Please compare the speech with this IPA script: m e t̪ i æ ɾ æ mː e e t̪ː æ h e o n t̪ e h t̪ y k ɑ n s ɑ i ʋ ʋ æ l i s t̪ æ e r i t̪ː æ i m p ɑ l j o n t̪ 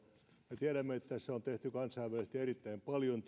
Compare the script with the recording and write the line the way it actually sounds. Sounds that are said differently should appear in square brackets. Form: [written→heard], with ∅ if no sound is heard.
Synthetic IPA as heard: m e t̪ i æ ɾ æ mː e e t̪ː æ [h→s] e o n t̪ e h t̪ y k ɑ n s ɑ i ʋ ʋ æ l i s t̪ [æ→i] e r i t̪ː æ i m p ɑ l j o n t̪